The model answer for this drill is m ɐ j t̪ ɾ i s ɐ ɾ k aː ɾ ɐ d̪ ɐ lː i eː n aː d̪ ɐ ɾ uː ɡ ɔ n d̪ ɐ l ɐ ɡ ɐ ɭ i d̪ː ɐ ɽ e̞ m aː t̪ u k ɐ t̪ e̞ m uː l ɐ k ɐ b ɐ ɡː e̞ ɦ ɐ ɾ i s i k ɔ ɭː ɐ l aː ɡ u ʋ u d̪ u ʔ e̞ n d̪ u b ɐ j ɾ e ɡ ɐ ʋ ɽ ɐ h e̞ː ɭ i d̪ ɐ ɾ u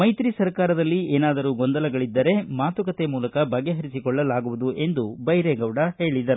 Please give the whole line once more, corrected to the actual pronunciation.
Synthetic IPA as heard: m ɐ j t̪ ɾ i s ɐ ɾ k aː ɾ ɐ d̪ ɐ lː i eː n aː d̪ ɐ ɾ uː ɡ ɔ n d̪ ɐ l ɐ ɡ ɐ ɭ i d̪ː ɐ ɾ e̞ m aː t̪ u k ɐ t̪ e̞ m uː l ɐ k ɐ b ɐ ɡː e̞ ɦ ɐ ɾ i s i k ɔ ɭː ɐ l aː ɡ u ʋ u d̪ u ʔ e̞ n d̪ u b ɐ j ɾ e ɡ ɐ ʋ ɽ ɐ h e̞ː ɭ i d̪ ɐ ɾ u